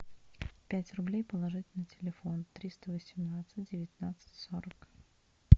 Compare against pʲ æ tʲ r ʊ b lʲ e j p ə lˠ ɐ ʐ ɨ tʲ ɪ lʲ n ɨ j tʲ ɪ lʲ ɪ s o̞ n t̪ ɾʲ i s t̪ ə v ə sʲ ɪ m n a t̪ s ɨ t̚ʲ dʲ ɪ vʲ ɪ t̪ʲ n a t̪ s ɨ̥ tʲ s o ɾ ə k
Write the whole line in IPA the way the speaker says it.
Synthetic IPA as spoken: pʲ æ tʲ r ʊ b lʲ e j p ə lˠ ɐ ʐ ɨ tʲ ɪ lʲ n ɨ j tʲ ɪ lʲ ɪ f o̞ n t̪ ɾʲ i s t̪ ə v ə sʲ ɪ m n a t̪ s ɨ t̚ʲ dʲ ɪ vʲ ɪ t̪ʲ n a t̪ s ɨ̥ tʲ s o ɾ ə k